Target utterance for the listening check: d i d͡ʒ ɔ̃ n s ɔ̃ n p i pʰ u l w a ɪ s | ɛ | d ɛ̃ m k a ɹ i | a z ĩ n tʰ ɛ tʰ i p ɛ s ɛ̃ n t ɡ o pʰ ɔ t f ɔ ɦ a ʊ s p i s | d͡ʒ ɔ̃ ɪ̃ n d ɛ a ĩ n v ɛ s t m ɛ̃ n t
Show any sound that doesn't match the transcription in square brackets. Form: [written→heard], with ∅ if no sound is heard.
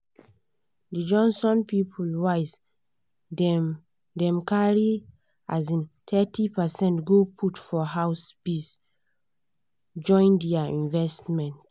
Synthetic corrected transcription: d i d͡ʒ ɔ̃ n s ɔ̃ n p i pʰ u l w a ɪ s | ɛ | d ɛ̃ m k a ɹ i | a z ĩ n tʰ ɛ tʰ i p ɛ s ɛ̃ n t ɡ o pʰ [ɔ→u] t f ɔ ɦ a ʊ s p i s | d͡ʒ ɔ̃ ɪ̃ n d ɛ a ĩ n v ɛ s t m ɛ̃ n t